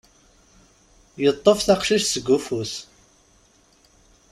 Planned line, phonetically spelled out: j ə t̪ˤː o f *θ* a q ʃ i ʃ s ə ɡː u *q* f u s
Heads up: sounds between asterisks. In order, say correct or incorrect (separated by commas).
correct, incorrect